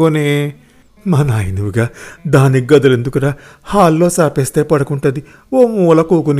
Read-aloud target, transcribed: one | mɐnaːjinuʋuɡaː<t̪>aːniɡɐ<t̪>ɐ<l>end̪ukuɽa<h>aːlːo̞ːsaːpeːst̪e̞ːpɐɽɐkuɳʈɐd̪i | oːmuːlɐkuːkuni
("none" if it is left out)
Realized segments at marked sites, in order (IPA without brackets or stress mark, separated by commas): d̪, d̪, l, h